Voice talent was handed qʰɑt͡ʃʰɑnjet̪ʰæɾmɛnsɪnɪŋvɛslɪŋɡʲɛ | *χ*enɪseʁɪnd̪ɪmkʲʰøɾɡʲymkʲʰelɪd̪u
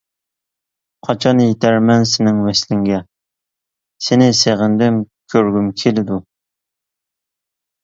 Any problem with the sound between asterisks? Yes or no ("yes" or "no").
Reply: yes